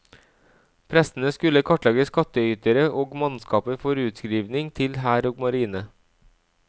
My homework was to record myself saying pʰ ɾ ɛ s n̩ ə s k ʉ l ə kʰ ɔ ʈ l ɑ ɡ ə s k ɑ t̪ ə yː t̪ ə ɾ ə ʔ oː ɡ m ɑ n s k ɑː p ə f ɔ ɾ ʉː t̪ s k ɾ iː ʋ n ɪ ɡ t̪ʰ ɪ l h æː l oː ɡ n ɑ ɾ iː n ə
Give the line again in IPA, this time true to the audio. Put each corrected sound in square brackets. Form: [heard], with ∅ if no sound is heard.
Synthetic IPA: pʰ ɾ ɛ s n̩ ə s k ʉ l ə kʰ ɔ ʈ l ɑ ɡ ə s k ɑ t̪ ə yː t̪ ə ɾ ə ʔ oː ɡ m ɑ n s k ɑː p ə f ɔ ɾ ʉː t̪ s k ɾ iː ʋ n ɪ [ŋ] t̪ʰ ɪ l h æː [ɾ] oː ɡ [m] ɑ ɾ iː n ə